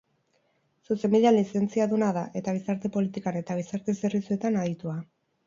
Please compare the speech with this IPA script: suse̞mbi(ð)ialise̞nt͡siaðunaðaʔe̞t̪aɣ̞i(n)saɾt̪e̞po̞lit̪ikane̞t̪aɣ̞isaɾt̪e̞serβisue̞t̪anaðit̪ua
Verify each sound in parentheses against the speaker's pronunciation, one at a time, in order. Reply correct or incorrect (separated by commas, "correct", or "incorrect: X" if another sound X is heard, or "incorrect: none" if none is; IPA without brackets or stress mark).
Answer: correct, incorrect: none